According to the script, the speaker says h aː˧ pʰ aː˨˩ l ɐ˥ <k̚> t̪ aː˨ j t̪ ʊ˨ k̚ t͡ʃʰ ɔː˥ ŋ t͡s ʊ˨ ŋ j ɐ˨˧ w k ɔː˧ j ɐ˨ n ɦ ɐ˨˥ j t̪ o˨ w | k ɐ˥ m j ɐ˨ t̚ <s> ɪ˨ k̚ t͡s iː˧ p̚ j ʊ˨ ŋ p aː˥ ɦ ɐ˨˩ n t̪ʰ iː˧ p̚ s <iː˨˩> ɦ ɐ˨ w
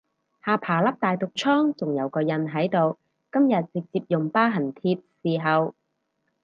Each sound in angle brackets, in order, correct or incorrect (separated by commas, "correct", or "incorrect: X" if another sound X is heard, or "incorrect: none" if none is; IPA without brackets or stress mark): incorrect: p̚, incorrect: t͡s, correct